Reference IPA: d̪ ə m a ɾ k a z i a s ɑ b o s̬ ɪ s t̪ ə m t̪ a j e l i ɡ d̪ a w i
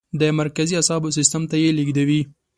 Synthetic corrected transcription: d̪ ə m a ɾ k a z i a s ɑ b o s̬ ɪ s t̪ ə m t̪ a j e l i ɡ d̪ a w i